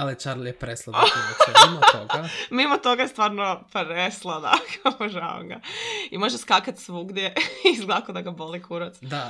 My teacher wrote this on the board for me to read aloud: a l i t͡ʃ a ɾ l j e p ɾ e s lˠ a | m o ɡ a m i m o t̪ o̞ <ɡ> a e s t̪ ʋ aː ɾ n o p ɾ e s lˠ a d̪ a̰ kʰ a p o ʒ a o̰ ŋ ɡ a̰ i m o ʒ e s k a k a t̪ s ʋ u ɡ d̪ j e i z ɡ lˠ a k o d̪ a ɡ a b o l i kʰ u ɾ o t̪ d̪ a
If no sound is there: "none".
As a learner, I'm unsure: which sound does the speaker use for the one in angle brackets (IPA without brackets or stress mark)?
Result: ɡ